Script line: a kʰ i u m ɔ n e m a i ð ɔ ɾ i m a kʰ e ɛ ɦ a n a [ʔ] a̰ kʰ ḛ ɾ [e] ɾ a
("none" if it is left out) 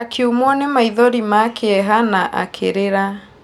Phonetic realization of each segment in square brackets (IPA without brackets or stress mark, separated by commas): ʔ, e